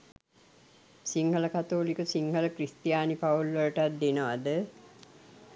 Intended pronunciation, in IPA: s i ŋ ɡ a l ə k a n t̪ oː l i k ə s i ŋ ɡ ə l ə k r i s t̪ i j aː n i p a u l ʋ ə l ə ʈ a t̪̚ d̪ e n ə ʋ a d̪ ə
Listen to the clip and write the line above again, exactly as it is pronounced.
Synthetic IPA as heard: s i ŋ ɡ ə l ə k a t̪ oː l i k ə s i ŋ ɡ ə l ə k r i s t̪ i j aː n i p a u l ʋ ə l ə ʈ a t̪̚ d̪ e n ə ʋ a d̪ ə